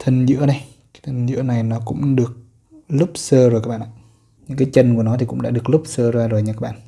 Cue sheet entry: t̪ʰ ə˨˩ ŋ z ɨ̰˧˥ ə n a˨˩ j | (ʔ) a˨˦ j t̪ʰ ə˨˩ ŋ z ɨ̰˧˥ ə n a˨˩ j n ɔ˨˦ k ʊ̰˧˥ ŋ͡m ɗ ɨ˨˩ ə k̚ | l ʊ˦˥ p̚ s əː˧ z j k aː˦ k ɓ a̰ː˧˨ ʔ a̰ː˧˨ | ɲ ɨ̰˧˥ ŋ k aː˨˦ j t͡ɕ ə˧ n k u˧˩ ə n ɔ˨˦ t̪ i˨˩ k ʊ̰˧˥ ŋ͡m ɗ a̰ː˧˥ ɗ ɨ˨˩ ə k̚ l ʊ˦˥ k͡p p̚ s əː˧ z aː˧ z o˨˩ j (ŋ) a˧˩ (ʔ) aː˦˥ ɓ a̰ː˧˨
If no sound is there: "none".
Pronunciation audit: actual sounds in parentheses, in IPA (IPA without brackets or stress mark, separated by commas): k, ɲ, k